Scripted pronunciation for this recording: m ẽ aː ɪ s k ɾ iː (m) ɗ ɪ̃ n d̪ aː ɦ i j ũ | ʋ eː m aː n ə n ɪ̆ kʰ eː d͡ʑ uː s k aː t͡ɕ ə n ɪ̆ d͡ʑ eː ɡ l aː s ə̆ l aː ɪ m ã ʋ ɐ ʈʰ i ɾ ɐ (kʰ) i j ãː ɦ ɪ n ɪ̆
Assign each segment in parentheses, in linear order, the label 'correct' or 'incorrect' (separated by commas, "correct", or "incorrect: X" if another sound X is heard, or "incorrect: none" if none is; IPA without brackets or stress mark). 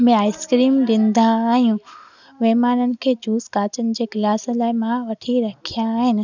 correct, correct